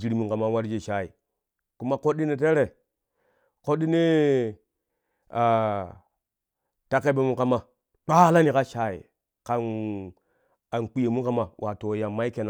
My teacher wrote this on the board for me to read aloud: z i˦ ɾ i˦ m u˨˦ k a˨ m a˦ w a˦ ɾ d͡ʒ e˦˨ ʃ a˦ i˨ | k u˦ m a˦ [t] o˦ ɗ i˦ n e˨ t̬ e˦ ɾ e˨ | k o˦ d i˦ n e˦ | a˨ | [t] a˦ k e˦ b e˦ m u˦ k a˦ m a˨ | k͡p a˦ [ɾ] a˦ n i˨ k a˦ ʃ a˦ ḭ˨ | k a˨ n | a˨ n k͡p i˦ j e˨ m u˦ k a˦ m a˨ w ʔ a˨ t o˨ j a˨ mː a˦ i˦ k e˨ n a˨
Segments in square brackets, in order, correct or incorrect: incorrect: k, correct, incorrect: l

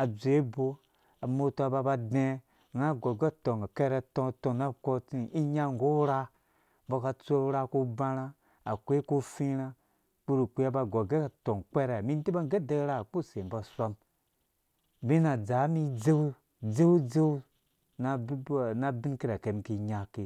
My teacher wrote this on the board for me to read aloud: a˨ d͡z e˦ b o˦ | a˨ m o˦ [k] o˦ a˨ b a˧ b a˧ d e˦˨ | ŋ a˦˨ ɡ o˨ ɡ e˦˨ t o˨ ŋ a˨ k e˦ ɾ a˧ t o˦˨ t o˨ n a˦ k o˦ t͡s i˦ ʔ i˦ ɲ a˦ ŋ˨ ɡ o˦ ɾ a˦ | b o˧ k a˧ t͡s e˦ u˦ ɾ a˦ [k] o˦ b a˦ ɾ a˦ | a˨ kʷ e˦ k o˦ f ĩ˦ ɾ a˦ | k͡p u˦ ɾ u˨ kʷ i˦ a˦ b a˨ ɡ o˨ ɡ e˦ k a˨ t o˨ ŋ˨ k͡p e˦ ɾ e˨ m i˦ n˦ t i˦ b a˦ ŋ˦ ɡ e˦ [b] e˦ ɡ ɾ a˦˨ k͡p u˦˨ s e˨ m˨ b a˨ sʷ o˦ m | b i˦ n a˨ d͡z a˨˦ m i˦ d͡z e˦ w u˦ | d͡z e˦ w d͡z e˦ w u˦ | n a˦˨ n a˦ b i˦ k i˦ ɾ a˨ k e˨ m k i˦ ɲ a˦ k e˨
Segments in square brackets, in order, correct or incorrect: incorrect: t, correct, incorrect: d

